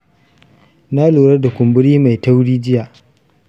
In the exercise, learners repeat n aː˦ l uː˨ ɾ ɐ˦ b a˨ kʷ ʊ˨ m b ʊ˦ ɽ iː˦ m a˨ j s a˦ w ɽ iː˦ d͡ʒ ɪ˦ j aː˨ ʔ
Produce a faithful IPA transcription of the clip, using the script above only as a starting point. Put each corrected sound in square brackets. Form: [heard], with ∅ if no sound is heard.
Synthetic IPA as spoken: n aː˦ l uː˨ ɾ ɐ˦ [d] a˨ kʷ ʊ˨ m b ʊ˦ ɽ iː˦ m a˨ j [t] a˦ w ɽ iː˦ d͡ʒ ɪ˦ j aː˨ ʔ